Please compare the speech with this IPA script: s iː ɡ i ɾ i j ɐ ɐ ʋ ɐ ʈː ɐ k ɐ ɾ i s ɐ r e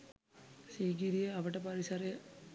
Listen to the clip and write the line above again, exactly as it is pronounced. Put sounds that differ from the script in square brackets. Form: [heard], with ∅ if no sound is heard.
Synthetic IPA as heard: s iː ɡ i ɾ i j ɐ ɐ ʋ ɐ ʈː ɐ [p] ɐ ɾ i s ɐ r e